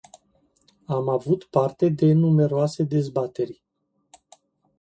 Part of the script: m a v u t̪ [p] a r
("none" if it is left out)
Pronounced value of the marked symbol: p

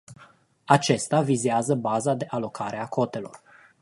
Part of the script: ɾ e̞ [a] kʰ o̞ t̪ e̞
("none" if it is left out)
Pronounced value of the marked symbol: a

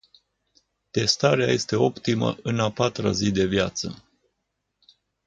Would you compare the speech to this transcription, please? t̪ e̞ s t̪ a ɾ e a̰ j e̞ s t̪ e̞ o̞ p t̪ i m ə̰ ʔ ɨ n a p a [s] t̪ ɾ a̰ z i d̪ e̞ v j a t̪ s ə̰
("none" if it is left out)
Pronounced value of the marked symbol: none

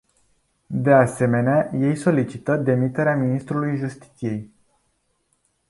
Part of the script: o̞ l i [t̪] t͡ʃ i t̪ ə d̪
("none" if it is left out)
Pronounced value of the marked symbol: none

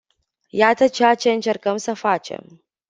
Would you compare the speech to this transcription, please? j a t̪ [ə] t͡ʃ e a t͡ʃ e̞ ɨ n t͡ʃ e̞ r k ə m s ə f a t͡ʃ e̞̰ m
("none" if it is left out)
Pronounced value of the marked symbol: ə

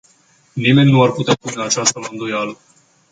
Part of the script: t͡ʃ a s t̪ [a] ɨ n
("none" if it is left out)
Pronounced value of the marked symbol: ə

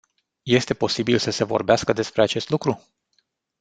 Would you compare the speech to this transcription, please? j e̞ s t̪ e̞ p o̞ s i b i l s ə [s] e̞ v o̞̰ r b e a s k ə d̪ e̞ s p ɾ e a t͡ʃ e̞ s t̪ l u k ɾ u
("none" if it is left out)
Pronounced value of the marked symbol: s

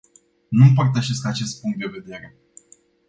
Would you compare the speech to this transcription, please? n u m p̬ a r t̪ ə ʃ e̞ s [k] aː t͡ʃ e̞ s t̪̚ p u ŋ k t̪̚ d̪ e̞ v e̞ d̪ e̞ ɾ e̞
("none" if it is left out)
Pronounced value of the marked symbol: k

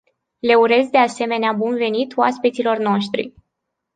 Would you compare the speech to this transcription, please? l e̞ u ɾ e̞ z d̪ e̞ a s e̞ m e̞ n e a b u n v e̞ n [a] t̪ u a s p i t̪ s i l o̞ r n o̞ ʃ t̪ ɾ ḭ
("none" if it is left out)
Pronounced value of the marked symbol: i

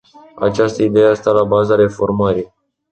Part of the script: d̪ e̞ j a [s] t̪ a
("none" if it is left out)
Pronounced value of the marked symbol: s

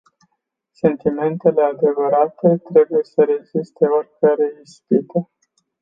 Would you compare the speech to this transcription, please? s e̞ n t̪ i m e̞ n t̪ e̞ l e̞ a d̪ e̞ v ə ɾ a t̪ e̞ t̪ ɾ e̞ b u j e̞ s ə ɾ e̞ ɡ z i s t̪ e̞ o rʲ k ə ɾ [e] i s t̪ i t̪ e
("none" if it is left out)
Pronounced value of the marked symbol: e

